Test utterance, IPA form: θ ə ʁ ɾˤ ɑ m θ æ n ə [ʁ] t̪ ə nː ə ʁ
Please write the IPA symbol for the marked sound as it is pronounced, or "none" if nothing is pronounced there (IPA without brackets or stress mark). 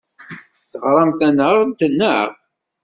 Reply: ʁ